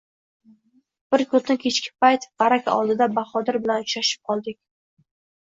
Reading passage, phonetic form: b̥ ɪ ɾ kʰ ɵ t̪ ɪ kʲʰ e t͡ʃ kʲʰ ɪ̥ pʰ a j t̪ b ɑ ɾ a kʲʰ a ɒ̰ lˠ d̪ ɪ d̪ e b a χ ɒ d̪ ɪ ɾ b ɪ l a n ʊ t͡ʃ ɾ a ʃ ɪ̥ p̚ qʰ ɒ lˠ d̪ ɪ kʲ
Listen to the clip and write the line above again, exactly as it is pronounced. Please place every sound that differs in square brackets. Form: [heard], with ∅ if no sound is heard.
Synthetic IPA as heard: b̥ ɪ ɾ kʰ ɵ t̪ ɪ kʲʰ e t͡ʃ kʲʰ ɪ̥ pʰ a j t̪ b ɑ ɾ a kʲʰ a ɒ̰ lˠ d̪ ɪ d̪ [a] b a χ ɒ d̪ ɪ ɾ b ɪ l a n ʊ t͡ʃ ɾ a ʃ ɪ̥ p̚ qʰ ɒ lˠ d̪ ɪ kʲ